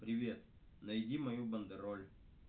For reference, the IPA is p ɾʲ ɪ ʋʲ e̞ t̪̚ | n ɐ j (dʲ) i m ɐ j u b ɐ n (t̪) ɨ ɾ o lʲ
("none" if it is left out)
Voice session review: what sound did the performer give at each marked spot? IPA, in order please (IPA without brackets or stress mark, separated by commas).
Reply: dʲ, d̪